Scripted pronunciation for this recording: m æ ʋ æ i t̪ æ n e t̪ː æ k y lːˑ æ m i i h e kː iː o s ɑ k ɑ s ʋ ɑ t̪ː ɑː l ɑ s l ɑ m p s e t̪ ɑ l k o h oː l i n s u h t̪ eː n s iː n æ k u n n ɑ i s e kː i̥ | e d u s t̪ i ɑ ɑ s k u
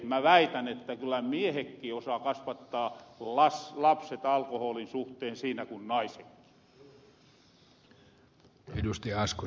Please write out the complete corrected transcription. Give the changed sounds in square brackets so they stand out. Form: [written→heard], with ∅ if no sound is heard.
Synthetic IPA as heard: m æ ʋ æ i t̪ æ n e t̪ː æ k y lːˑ æ m i [i→e] h e kː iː o s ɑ k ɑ s ʋ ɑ t̪ː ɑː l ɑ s l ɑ [m→∅] p s e t̪ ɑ l k o h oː l i n s u h t̪ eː n s iː n æ k u n n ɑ i s e kː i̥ | e d u s t̪ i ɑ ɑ s k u